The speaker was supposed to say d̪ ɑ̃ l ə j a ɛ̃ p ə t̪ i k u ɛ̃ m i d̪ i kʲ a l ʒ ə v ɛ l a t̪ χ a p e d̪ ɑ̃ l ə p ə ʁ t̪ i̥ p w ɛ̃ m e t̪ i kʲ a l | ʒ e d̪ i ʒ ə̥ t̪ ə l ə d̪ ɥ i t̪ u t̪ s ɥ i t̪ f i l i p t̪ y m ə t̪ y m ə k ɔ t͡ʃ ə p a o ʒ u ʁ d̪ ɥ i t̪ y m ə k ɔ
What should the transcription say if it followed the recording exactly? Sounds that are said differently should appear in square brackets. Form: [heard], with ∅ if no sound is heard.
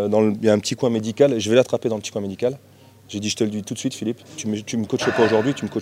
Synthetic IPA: d̪ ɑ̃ l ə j a ɛ̃ p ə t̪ i k [w] ɛ̃ m [e] d̪ i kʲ a l ʒ ə v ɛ l a t̪ χ a p e d̪ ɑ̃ l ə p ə [∅] t̪ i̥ [k] w ɛ̃ m e [d̪] i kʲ a l | ʒ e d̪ i ʒ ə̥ t̪ ə l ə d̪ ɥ i t̪ u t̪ s ɥ i t̪ f i l i p t̪ y m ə t̪ y m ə k ɔ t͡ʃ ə p a o ʒ u ʁ d̪ ɥ i t̪ y m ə k ɔ